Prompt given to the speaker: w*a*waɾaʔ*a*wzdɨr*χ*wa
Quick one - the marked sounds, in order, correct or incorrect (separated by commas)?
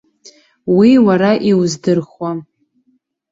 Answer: incorrect, incorrect, correct